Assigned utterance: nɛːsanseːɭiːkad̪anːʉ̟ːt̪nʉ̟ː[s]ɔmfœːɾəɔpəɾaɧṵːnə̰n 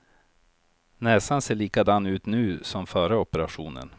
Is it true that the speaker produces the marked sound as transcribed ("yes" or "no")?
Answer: yes